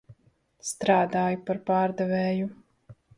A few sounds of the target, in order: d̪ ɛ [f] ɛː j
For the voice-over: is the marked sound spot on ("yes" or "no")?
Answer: no